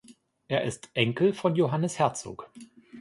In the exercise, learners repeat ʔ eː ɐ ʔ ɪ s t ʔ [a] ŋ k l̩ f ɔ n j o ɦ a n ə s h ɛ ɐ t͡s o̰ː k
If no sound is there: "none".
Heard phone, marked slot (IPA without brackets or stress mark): ɛ